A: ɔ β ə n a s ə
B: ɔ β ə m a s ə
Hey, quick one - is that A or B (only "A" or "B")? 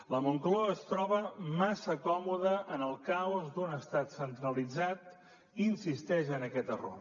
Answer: B